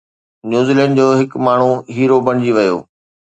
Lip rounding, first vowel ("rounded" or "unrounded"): rounded